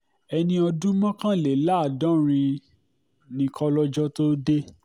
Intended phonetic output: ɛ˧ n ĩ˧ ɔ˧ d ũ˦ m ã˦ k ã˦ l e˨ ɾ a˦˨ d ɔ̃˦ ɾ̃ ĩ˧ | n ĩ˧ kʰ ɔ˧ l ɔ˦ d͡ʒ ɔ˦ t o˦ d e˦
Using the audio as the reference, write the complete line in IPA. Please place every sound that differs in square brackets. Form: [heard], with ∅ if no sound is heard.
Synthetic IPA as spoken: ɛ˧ n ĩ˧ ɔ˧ d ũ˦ m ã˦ k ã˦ l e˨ [l] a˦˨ d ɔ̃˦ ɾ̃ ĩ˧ | n ĩ˧ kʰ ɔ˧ l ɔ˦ d͡ʒ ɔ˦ t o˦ d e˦